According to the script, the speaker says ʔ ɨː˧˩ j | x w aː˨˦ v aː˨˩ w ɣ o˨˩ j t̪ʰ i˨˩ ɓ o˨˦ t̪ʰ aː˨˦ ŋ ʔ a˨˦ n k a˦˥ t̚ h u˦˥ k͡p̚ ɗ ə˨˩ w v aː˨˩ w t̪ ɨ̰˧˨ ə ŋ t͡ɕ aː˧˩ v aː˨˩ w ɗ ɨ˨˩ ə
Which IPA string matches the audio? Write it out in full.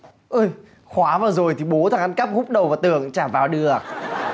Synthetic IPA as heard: ʔ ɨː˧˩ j | x w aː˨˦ v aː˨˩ w z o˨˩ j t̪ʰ i˨˩ ɓ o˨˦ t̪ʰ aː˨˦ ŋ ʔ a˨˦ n k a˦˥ p̚ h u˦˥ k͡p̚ ɗ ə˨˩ w v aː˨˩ w t̪ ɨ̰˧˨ ə ŋ t͡ɕ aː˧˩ v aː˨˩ w ɗ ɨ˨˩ ə